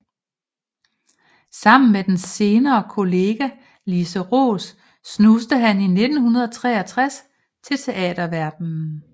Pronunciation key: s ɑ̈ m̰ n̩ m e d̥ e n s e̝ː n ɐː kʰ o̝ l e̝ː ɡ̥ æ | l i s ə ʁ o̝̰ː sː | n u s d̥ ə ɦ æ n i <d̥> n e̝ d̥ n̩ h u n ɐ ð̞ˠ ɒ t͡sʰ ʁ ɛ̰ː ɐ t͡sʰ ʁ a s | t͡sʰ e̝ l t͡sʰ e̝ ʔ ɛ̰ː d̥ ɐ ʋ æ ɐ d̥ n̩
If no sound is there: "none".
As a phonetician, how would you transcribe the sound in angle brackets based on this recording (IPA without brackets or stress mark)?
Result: none